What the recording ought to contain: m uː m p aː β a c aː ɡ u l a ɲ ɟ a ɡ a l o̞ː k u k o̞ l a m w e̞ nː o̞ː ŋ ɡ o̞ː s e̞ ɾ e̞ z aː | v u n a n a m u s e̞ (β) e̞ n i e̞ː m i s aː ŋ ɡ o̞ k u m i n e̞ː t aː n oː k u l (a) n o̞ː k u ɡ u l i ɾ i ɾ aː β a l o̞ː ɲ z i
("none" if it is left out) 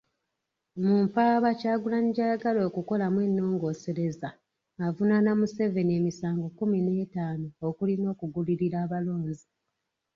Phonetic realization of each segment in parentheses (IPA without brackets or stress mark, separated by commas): v, i